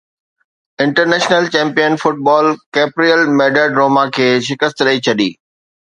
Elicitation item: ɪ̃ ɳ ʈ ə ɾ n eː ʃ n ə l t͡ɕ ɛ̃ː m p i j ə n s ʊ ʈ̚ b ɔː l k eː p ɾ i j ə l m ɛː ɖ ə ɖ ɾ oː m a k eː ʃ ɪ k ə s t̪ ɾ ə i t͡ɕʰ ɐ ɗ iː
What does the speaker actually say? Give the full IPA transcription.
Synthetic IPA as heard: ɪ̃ ɳ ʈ ə ɾ n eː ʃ n ə l t͡ɕ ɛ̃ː m p i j ə n f ʊ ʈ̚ b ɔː l k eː p ɾ i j ə l m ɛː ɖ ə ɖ ɾ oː m a kʰ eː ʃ ɪ k ə s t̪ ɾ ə i t͡ɕʰ ɐ ɗ iː